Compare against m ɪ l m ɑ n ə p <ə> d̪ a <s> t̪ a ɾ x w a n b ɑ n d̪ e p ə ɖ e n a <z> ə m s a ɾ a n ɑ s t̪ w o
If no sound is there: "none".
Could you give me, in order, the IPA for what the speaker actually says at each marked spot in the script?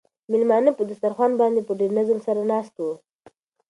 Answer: ə, s, z

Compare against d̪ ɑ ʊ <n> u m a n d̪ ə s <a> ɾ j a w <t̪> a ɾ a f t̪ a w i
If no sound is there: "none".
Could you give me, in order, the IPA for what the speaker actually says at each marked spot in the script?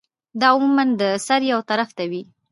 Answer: m, a, t̪

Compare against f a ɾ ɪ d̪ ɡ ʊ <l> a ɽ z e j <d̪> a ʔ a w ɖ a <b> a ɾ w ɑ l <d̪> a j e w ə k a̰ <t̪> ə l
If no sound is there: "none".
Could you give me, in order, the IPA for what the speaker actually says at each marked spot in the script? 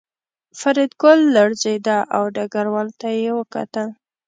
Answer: lː, d̪, ɡ, t̪, t̪

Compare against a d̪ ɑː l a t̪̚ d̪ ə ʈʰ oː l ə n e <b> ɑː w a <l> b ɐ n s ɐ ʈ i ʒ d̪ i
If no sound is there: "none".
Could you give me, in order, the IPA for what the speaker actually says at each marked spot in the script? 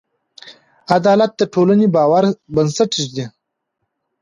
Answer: b, ɾ

